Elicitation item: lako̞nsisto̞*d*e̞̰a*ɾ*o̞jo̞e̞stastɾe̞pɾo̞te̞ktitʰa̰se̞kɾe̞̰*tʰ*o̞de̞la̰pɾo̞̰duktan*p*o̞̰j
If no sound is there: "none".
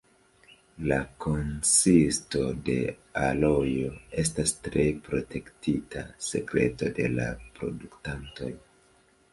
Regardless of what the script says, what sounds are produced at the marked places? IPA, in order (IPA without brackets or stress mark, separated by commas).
d, l, t, t